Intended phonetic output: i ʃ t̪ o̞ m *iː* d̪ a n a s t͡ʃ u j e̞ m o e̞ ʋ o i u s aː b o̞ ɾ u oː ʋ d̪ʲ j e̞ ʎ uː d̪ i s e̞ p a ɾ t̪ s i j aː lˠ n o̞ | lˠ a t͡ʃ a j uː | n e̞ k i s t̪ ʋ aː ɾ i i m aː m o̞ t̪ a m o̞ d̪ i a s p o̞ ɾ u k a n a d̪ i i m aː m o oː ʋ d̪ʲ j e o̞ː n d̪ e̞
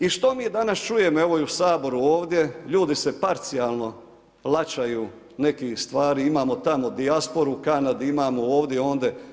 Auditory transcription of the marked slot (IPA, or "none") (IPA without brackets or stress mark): iː